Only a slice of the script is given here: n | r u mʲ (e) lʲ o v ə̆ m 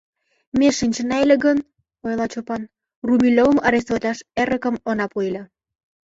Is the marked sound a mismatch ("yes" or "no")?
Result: yes